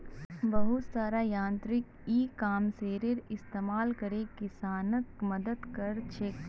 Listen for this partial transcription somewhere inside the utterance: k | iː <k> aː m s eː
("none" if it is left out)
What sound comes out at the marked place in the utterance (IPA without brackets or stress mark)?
k